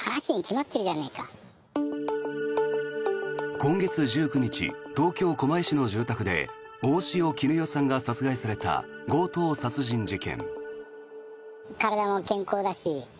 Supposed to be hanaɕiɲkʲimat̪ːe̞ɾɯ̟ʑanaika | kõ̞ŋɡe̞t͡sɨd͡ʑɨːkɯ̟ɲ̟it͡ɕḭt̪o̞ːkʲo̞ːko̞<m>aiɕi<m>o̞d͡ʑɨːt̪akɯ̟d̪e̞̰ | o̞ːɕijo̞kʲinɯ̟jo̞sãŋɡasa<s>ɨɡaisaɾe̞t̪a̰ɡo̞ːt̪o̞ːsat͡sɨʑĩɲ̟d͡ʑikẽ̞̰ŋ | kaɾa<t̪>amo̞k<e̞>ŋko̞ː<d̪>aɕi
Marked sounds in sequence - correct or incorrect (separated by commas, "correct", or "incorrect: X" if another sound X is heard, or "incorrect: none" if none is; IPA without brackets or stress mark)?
correct, incorrect: n, incorrect: t͡s, incorrect: d̪, incorrect: ẽ̞, correct